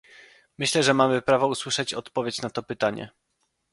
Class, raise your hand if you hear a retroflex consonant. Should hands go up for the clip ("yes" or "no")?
yes